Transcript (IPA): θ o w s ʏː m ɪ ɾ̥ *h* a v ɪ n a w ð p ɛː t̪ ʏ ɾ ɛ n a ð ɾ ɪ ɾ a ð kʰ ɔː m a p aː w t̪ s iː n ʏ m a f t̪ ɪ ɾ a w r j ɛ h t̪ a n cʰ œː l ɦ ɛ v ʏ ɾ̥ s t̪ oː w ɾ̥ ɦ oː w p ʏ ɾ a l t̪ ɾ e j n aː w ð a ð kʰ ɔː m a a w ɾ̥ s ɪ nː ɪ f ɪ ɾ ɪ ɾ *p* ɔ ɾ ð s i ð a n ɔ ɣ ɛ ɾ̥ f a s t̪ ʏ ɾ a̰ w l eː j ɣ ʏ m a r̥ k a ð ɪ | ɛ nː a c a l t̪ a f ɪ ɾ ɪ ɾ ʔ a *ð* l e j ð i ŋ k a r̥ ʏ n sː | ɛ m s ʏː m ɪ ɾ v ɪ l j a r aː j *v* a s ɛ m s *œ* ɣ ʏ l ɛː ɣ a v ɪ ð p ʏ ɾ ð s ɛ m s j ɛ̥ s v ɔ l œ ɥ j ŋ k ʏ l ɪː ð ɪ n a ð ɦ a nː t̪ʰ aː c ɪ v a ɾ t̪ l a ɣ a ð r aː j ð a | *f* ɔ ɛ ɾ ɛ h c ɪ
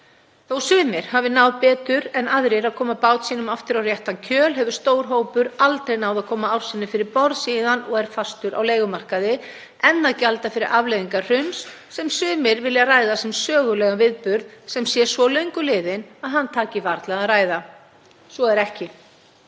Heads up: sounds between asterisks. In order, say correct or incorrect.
correct, correct, incorrect: v, incorrect: ð, incorrect: œː, incorrect: s

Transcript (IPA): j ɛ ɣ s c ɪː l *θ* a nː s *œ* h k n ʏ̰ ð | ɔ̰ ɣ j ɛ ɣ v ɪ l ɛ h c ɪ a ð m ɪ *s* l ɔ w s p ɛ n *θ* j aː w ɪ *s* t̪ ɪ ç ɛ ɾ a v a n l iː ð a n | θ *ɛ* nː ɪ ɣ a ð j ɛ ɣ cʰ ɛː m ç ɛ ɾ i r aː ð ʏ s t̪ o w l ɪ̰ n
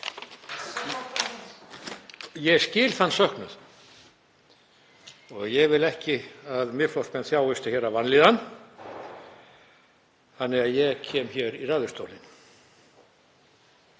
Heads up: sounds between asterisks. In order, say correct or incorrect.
correct, correct, incorrect: f, correct, correct, incorrect: a

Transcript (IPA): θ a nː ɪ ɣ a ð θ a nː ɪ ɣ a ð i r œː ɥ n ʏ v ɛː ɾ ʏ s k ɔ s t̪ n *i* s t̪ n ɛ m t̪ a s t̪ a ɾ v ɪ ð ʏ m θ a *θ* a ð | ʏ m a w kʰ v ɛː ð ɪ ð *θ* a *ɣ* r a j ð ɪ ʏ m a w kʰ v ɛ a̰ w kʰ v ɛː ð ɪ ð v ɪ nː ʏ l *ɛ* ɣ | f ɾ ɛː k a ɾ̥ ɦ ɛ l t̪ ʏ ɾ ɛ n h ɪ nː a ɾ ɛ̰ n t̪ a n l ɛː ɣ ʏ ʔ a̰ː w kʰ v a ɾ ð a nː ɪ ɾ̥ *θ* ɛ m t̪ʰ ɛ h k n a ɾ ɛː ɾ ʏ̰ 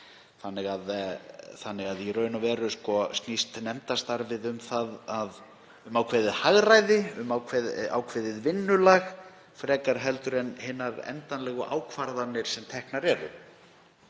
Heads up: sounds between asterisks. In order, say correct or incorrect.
correct, incorrect: ð, incorrect: h, correct, incorrect: a, incorrect: s

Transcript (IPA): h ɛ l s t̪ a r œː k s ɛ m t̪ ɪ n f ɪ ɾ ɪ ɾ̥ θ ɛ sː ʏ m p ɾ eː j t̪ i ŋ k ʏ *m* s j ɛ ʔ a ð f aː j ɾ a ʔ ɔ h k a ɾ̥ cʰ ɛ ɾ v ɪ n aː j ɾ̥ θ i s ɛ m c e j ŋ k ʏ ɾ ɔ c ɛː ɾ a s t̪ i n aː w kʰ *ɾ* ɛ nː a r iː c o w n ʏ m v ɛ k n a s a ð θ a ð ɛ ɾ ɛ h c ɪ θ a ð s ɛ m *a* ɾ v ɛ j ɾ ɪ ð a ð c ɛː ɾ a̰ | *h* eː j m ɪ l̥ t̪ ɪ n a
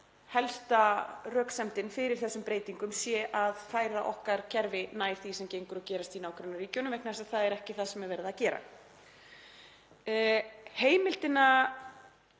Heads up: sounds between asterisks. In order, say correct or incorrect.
correct, correct, incorrect: ɛ, correct

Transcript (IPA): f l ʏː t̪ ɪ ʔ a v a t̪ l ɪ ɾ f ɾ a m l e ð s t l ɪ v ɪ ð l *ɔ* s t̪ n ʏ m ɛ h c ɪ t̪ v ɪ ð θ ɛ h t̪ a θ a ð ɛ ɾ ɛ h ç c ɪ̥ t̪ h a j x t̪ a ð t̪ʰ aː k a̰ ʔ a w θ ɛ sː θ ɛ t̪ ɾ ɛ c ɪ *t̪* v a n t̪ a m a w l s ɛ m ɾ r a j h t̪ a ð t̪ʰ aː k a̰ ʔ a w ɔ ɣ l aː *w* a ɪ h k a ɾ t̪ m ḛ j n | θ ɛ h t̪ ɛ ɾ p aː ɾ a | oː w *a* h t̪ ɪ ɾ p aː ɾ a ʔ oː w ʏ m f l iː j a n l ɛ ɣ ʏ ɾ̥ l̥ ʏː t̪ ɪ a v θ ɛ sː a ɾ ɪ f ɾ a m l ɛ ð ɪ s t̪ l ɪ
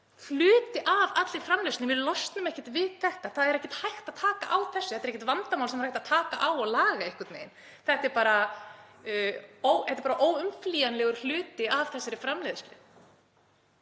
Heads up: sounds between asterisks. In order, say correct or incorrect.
correct, correct, incorrect: ɣ, incorrect: ɛ

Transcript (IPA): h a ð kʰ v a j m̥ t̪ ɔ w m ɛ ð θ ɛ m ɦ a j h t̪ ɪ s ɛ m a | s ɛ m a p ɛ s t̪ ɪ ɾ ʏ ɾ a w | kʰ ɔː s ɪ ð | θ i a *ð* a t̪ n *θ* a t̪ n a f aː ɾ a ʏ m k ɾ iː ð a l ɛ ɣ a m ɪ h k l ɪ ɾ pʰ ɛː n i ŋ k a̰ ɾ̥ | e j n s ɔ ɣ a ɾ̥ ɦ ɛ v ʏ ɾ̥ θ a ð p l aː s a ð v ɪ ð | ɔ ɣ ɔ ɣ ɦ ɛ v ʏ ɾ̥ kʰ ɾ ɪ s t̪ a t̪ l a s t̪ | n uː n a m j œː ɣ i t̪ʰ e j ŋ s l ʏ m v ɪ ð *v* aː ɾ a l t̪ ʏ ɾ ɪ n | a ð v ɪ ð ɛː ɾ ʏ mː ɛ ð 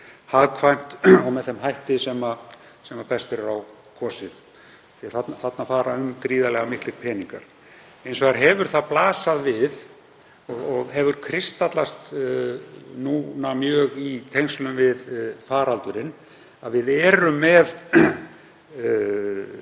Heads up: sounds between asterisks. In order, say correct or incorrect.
incorrect: θ, correct, incorrect: f

